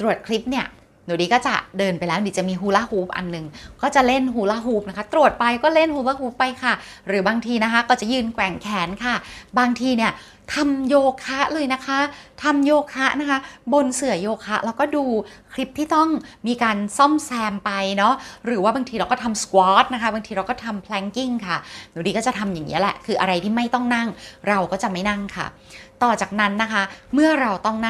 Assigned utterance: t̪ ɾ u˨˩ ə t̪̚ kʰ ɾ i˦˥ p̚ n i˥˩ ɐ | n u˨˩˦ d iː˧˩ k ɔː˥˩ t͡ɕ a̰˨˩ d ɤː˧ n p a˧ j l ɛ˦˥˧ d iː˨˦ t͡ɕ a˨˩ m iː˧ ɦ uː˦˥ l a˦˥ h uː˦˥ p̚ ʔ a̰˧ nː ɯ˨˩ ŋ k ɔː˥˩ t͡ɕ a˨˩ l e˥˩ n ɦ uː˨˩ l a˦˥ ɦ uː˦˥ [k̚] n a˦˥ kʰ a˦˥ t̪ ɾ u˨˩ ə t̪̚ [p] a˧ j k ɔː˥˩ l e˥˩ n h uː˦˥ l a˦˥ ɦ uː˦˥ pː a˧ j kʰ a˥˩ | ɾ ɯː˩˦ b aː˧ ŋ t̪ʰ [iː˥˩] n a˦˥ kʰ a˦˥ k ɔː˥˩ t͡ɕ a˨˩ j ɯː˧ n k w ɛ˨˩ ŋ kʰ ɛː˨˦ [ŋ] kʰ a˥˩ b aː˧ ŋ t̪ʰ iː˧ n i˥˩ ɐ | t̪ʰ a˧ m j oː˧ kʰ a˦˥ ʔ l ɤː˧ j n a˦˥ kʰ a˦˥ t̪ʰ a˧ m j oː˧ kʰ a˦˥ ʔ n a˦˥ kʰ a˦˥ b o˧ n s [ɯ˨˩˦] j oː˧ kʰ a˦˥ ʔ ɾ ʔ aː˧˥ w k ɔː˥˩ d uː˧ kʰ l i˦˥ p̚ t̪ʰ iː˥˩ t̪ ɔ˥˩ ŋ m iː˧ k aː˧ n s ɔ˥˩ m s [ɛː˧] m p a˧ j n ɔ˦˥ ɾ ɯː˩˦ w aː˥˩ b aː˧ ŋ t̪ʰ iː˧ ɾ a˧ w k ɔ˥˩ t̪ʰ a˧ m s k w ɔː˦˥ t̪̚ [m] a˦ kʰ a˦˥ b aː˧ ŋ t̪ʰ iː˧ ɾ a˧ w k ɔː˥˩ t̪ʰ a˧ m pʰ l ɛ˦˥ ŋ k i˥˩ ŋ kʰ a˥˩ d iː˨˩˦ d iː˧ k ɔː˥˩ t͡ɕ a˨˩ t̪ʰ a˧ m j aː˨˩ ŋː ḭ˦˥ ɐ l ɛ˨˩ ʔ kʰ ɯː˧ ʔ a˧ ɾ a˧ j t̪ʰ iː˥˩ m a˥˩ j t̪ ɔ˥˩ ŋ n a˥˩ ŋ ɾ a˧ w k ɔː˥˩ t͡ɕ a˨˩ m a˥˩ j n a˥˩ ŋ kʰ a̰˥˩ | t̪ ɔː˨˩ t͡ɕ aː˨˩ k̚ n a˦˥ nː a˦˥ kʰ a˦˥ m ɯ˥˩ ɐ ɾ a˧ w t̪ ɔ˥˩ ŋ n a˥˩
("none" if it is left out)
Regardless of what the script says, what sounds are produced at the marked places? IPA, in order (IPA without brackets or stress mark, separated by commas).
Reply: p̚, p, iː˧, n, ɯ˨˩˦, ɛː˧, n